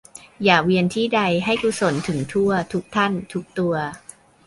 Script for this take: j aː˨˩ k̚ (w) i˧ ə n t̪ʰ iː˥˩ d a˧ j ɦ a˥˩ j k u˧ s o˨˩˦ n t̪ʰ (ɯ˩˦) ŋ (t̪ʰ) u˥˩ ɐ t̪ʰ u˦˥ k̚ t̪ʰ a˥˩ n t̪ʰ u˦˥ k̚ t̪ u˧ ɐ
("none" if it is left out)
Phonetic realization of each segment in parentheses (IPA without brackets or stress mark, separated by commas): w, ɯ˩˦, t̪ʰ